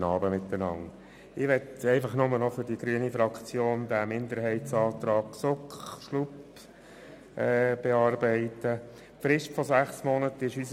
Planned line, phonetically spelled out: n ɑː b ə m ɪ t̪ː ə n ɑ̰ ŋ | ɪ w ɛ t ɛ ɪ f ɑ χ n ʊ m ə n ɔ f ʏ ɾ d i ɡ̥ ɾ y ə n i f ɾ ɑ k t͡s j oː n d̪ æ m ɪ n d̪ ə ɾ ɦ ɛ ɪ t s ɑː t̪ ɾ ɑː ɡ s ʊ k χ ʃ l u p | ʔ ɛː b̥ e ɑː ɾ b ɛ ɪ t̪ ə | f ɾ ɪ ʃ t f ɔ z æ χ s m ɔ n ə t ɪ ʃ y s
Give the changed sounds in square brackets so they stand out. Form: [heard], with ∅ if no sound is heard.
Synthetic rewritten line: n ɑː b ə m ɪ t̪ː ə n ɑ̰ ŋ | ɪ [ʋ] ɛ t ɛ ɪ f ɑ χ n ʊ m ə n ɔ f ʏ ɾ d i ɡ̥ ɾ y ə n i f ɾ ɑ k t͡s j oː n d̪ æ m ɪ n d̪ ə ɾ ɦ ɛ ɪ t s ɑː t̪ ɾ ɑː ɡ s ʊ k χ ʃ l u p | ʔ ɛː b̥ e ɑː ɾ b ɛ ɪ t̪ ə | f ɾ ɪ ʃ t f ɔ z æ χ s m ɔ n ə t ɪ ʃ y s